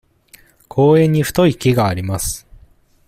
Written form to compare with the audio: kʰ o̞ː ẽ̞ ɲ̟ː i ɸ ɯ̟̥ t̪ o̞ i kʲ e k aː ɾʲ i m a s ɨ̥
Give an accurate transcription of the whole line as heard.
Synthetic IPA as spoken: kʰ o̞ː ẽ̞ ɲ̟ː i ɸ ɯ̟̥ t̪ o̞ i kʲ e ɡ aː ɾʲ i m a s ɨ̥